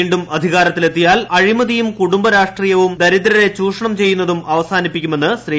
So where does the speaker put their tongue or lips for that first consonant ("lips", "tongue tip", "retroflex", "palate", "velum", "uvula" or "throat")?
retroflex